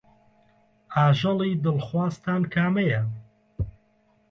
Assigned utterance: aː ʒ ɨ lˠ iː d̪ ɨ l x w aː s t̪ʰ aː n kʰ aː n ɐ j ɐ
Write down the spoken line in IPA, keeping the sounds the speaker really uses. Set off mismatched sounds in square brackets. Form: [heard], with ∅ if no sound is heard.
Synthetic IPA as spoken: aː ʒ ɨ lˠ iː d̪ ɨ l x w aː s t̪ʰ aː n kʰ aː [m] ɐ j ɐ